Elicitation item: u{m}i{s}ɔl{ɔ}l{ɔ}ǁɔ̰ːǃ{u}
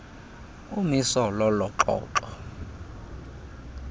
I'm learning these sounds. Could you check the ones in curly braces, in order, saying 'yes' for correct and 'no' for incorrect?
yes, yes, yes, yes, no

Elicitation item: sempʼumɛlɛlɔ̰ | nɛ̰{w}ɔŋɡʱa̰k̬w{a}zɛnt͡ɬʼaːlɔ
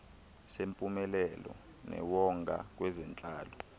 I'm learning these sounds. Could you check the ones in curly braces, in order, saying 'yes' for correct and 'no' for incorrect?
yes, no

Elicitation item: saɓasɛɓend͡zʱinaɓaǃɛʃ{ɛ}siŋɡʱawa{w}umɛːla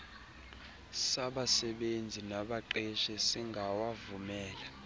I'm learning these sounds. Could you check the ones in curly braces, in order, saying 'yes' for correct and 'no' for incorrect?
yes, no

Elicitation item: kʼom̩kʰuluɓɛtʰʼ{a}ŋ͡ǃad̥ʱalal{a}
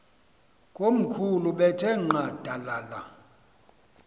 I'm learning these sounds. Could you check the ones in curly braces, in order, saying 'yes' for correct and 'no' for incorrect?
no, yes

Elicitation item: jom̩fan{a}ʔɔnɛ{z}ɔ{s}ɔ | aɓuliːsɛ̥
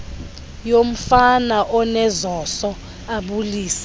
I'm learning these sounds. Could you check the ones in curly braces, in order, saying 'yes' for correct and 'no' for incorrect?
yes, yes, yes

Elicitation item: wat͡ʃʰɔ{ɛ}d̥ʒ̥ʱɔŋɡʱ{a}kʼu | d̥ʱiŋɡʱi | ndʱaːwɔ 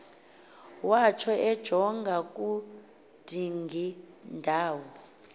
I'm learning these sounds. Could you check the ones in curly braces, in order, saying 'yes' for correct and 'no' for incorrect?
yes, yes

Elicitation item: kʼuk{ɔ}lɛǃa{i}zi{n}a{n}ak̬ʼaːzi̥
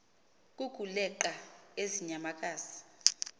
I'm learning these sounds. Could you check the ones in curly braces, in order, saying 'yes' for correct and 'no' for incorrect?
no, no, no, no

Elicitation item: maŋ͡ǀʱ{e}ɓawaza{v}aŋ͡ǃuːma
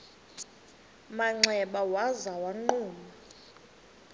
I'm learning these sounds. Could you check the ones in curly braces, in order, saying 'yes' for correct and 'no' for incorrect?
no, no

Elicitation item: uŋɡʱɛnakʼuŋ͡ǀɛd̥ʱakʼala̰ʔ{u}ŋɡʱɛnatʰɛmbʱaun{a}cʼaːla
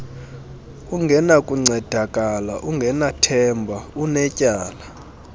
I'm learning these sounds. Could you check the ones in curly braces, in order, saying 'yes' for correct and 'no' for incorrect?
yes, no

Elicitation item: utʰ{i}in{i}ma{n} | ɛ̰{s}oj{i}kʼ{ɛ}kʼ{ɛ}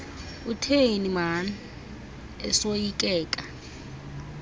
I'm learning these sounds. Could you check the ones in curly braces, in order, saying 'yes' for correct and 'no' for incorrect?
no, yes, yes, yes, yes, no, no

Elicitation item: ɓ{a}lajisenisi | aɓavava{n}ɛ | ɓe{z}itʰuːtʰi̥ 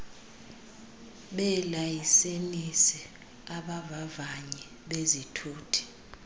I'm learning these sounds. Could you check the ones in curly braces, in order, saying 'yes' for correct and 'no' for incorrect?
no, no, yes

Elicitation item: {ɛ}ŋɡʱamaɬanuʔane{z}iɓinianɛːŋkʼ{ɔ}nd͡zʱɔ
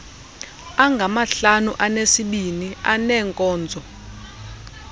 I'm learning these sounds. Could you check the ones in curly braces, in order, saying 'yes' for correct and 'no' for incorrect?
no, no, no

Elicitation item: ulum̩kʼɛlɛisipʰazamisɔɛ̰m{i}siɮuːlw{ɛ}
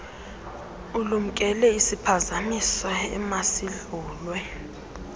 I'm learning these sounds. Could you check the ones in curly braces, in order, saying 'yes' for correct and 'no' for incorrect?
no, yes

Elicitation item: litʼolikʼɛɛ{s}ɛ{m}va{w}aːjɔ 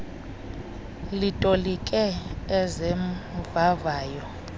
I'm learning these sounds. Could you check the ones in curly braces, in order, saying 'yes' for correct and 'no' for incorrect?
no, yes, no

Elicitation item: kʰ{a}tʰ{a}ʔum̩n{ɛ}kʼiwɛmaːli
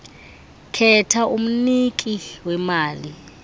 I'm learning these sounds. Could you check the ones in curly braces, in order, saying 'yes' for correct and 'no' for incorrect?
no, yes, no

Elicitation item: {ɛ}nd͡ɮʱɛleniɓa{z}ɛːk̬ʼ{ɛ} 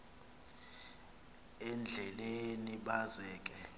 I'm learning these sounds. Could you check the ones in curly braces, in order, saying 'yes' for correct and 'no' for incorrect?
yes, yes, yes

